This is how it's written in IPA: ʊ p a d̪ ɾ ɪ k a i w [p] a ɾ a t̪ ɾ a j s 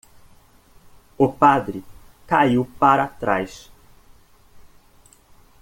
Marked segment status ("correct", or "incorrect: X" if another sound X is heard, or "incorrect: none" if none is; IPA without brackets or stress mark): correct